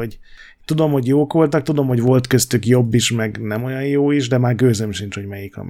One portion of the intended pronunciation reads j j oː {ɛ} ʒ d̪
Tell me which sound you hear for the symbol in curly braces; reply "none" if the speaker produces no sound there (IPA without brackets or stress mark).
i